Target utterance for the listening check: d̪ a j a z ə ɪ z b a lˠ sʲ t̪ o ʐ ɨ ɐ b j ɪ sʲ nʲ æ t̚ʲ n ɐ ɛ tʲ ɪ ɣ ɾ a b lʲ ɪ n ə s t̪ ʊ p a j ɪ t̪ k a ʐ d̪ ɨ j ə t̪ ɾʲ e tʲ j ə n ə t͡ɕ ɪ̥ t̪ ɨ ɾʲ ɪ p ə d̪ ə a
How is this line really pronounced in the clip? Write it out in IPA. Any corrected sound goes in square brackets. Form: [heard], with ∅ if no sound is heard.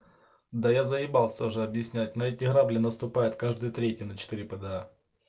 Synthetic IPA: d̪ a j a z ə ɪ [∅] b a lˠ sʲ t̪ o ʐ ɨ ɐ b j ɪ sʲ nʲ æ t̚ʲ n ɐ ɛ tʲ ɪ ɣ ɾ a b lʲ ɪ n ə s t̪ ʊ p a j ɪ t̪ k a ʐ d̪ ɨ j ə t̪ ɾʲ e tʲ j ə n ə t͡ɕ ɪ̥ t̪ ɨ ɾʲ ɪ p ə d̪ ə a